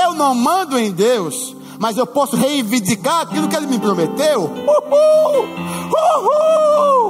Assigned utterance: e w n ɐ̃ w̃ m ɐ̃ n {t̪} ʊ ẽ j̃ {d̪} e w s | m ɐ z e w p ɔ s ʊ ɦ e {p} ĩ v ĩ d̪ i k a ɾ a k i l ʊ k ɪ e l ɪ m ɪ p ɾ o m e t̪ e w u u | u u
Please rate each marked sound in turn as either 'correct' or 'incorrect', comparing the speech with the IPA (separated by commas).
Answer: incorrect, correct, incorrect